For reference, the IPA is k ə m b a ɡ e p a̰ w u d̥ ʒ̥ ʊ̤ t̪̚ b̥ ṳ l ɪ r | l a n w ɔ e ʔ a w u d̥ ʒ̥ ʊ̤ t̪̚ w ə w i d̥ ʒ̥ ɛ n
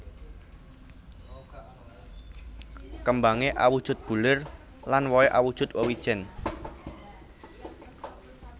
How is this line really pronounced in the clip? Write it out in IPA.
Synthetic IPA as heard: k ə m b a ŋ e ʔ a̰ w u d̥ ʒ̥ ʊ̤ t̪̚ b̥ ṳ l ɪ r | l a n w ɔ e ʔ a w u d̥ ʒ̥ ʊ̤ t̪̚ w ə w i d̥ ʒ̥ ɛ n